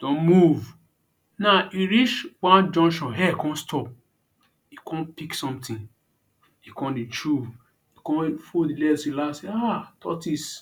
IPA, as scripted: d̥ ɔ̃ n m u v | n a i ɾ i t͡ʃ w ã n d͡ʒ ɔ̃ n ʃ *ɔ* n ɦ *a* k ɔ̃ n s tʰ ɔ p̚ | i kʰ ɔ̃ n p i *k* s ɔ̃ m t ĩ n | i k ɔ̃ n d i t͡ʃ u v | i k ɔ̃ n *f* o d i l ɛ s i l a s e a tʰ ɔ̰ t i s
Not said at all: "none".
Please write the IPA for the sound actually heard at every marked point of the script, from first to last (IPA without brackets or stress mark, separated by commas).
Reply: ɔ̃, ɛ, k, f